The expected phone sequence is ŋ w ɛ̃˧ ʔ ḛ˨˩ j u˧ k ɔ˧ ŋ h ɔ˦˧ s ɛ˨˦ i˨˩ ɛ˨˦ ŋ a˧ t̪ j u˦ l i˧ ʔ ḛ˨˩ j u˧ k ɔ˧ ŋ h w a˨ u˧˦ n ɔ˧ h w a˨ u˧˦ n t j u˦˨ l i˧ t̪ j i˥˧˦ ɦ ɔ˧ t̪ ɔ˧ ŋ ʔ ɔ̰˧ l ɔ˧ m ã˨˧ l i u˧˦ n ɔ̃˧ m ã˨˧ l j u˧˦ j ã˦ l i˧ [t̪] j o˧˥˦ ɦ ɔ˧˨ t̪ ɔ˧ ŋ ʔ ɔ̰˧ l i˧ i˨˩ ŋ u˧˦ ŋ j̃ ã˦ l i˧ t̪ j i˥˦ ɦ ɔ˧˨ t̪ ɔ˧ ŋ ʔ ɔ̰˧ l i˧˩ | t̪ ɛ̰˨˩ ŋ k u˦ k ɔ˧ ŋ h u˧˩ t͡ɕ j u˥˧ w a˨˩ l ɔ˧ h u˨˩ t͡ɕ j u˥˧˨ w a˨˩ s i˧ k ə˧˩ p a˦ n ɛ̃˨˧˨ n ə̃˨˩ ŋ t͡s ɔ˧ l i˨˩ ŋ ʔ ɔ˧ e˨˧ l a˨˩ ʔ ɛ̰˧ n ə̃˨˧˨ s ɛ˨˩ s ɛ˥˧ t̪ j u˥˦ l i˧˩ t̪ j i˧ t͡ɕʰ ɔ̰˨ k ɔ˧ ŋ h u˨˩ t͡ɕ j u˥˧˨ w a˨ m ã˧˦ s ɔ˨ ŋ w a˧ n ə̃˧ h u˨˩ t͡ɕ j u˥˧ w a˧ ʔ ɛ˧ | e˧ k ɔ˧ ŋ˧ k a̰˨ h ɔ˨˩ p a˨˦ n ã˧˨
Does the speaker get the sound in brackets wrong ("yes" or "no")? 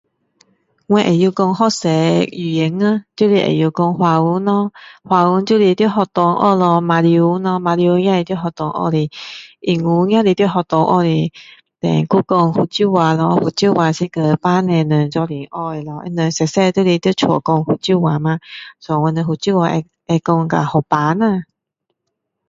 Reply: no